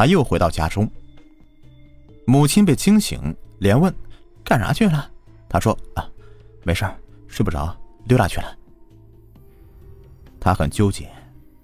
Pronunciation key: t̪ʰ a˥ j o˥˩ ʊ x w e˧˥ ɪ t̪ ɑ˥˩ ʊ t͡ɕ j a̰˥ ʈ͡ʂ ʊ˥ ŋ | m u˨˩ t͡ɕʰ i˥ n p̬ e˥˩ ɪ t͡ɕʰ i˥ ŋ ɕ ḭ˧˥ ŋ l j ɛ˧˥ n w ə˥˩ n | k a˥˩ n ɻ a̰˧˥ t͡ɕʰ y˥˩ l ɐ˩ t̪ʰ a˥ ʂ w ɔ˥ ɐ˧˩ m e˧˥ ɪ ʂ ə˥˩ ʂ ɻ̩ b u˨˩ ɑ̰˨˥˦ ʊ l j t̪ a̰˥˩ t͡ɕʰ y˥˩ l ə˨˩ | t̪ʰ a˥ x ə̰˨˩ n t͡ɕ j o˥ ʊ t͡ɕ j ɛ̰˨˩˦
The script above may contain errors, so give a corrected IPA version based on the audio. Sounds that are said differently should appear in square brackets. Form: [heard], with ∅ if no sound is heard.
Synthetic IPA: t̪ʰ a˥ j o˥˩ ʊ x w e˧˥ ɪ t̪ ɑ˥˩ ʊ t͡ɕ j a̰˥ ʈ͡ʂ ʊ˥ ŋ | m u˨˩ t͡ɕʰ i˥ n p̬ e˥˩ ɪ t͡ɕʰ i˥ ŋ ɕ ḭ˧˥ ŋ l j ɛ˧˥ n w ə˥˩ n | k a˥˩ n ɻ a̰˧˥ t͡ɕʰ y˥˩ l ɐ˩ t̪ʰ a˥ ʂ w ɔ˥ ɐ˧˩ m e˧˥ ɪ ʂ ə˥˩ ʂ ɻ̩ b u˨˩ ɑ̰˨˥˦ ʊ l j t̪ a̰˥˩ t͡ɕʰ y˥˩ l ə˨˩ | t̪ʰ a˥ x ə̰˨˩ n t͡ɕ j o˥ ʊ t͡ɕ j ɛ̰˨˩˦